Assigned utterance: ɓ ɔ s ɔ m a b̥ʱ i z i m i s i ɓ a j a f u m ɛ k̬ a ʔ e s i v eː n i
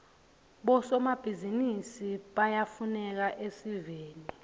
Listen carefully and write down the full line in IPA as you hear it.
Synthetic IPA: ɓ ɔ s ɔ m a b̥ʱ i z i n i s i ɓ a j a f u n ɛ k̬ a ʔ e s i v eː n i